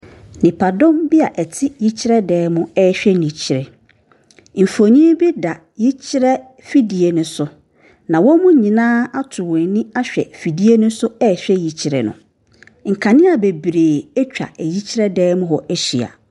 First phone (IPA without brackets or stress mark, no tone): n